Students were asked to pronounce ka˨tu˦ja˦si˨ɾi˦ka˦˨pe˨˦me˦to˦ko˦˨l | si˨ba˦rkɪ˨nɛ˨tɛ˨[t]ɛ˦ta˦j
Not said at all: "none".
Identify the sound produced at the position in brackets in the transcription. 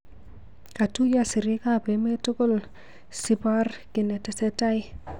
s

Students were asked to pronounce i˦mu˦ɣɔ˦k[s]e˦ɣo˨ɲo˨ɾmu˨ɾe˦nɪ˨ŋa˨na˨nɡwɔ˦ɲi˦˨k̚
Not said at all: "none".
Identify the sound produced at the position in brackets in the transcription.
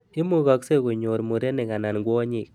s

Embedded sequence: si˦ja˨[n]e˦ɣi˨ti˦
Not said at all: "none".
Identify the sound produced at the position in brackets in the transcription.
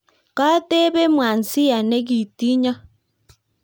n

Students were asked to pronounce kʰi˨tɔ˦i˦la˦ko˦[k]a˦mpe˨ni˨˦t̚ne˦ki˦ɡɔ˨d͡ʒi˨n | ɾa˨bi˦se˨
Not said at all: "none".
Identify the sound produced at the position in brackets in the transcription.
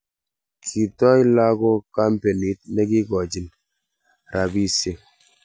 k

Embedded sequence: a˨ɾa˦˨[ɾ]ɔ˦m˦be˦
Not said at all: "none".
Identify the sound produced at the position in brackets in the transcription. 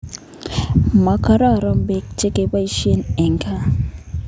ɾ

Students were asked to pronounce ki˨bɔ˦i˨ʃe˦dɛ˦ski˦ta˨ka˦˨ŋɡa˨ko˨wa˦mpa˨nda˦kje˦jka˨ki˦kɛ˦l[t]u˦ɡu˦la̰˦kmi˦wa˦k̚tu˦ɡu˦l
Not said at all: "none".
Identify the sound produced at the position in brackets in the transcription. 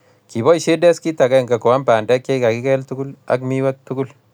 t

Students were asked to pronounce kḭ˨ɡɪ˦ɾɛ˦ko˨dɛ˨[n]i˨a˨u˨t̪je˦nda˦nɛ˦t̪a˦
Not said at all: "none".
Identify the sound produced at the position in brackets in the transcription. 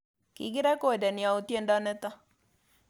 n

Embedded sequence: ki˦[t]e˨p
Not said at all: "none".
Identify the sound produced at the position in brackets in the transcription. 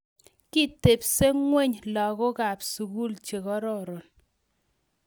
t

